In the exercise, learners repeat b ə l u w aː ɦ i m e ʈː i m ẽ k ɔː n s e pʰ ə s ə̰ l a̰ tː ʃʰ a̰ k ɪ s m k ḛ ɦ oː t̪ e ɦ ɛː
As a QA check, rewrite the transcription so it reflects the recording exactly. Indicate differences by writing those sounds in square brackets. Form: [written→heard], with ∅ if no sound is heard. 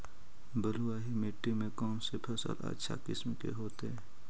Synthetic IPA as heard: b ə l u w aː ɦ i m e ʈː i m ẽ k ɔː n s e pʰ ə s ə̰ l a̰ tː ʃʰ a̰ k ɪ s m k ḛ ɦ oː t̪ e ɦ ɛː